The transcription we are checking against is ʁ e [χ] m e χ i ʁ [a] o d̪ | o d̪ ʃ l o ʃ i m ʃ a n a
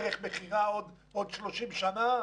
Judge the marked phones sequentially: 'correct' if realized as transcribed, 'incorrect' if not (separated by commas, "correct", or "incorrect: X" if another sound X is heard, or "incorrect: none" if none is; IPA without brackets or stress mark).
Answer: correct, correct